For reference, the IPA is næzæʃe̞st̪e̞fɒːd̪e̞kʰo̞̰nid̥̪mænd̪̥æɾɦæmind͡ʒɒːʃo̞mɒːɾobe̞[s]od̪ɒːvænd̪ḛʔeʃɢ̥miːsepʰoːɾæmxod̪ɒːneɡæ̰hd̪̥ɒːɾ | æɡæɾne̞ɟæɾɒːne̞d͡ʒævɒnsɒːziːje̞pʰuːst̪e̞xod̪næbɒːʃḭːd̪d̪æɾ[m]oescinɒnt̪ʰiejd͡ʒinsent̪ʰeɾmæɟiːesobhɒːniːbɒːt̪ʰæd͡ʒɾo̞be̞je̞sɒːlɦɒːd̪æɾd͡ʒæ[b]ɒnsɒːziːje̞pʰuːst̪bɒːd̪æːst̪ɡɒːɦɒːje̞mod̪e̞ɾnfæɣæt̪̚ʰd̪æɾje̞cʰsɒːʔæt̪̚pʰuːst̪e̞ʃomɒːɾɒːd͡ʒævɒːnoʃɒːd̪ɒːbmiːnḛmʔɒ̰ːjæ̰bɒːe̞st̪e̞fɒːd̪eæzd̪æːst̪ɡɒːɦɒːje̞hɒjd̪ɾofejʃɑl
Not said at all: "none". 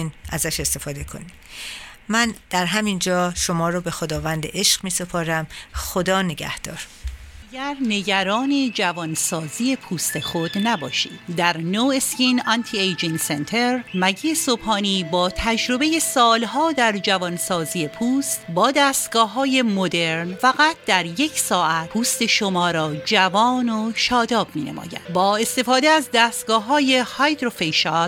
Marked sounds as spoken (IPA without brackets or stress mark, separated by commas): x, n, v